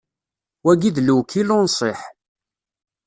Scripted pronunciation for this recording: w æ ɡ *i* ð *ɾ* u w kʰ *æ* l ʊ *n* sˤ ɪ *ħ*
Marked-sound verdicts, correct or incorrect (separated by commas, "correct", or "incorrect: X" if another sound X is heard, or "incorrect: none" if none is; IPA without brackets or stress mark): correct, incorrect: l, incorrect: i, correct, correct